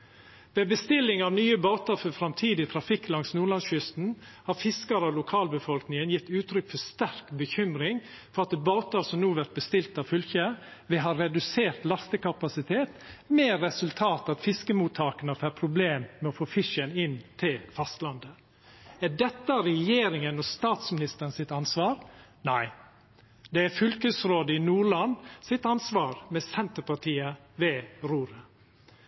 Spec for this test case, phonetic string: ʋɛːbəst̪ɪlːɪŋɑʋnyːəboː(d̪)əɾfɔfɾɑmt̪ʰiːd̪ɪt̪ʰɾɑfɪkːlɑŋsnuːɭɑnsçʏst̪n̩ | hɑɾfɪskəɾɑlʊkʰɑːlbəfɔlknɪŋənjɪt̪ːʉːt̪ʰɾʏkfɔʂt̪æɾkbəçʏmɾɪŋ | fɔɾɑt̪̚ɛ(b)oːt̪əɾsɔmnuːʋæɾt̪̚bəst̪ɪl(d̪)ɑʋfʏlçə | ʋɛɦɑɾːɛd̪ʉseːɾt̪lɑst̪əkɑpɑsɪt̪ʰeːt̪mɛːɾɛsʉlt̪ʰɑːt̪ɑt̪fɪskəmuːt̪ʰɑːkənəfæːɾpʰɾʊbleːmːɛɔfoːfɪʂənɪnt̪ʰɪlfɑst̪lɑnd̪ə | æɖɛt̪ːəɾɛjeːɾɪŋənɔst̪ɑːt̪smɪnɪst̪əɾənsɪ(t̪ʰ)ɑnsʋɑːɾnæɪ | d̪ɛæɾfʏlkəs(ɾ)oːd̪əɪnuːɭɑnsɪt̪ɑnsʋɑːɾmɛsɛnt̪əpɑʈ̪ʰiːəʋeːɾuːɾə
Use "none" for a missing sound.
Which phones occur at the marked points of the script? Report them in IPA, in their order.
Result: t̪, b, t̪, t̪, ɾ

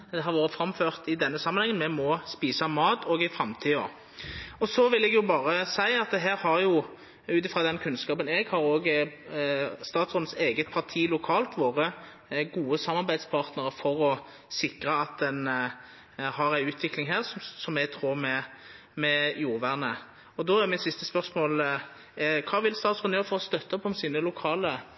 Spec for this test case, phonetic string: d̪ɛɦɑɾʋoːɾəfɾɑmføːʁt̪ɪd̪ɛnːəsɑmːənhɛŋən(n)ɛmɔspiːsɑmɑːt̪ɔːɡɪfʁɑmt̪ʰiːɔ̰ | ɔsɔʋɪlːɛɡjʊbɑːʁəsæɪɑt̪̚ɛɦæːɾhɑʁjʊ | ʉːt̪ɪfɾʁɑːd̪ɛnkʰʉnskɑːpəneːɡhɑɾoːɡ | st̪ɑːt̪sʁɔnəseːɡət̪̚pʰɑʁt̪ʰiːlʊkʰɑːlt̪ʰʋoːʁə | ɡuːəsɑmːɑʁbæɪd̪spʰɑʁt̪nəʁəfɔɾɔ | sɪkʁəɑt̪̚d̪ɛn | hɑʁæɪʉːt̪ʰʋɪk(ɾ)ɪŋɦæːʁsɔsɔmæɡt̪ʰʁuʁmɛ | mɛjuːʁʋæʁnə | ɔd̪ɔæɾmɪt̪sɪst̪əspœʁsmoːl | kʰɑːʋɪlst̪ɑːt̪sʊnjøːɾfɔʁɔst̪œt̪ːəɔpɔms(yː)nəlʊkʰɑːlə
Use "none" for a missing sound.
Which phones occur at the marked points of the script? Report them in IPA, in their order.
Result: m, l, iː

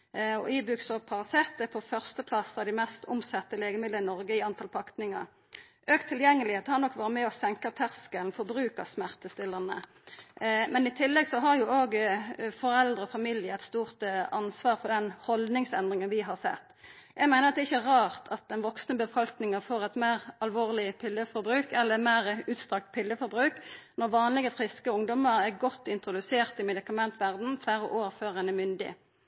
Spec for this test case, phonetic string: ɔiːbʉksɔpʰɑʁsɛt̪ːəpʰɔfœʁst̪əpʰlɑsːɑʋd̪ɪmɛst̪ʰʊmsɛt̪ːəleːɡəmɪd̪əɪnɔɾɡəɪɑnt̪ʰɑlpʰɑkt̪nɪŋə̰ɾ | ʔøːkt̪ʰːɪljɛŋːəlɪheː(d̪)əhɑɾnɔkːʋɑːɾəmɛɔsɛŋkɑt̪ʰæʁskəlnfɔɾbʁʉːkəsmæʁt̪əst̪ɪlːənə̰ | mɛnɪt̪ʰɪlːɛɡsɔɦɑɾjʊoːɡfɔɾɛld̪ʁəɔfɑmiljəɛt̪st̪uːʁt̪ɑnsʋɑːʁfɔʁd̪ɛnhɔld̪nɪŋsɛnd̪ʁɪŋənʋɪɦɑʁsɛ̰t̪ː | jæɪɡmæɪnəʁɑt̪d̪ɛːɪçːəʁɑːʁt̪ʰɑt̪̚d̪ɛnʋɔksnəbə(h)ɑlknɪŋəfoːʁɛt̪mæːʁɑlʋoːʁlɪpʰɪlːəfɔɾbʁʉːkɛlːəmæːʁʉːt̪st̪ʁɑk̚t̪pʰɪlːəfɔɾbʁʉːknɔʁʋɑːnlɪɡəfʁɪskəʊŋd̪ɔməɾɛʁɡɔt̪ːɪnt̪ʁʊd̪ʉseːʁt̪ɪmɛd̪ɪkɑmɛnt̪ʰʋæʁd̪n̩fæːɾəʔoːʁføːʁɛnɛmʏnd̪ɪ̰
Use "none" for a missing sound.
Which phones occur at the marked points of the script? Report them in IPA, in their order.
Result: t̪, f

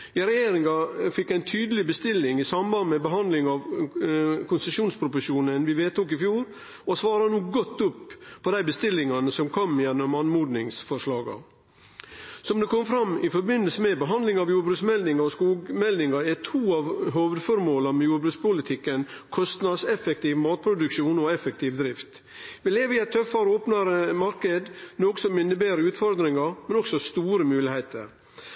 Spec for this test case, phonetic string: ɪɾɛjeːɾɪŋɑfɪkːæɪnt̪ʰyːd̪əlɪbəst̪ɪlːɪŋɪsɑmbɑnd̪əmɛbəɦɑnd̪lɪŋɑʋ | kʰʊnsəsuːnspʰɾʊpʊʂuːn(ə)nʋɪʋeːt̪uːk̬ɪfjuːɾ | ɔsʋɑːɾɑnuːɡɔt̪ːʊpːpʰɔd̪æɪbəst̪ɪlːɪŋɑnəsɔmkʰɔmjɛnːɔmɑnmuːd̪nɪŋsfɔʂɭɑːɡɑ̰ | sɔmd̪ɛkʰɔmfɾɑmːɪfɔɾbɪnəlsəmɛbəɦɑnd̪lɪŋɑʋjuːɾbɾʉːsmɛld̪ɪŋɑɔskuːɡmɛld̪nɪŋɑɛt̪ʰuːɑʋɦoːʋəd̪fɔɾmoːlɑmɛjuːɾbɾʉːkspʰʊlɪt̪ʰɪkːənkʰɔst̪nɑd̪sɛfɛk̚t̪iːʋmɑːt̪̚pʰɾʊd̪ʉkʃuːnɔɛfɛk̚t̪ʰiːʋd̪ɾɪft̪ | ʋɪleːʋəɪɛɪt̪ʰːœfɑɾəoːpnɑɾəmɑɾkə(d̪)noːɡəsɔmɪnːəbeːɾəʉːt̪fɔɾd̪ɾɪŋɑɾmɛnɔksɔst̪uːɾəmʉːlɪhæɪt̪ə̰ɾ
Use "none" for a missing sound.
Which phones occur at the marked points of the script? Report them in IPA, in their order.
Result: ə, d̪

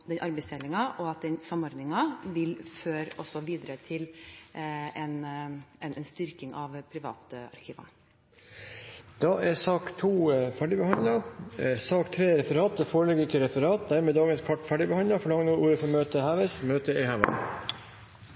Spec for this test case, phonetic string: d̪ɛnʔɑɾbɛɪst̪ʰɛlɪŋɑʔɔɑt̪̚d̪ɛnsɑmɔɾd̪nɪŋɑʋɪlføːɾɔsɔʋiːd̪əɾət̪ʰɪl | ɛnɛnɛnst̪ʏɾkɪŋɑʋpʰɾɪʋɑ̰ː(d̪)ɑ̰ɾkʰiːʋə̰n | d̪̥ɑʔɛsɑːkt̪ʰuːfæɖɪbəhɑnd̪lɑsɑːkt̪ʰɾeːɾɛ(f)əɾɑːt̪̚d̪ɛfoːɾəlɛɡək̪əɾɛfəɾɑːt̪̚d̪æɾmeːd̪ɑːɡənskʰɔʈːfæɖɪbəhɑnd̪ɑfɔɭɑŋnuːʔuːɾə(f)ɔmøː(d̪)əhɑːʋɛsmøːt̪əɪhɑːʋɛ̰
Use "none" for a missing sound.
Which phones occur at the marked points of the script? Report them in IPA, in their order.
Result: t̪, f, f, t̪

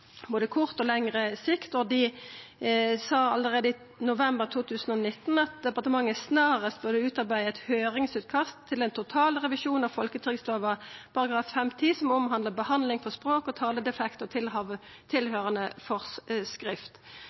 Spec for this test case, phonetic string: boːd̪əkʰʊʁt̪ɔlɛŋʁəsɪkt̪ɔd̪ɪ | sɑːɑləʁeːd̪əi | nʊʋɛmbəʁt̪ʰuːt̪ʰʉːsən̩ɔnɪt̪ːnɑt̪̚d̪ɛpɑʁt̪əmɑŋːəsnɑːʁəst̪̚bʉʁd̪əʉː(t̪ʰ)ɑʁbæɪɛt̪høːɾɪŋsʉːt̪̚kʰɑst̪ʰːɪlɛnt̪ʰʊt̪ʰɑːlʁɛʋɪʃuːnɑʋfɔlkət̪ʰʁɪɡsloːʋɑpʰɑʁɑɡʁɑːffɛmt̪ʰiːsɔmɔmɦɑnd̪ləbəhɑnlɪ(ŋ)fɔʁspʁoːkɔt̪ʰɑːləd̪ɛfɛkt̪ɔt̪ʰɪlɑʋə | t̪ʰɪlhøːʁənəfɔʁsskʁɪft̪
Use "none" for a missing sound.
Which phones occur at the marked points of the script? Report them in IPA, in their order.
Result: t̪, ŋ

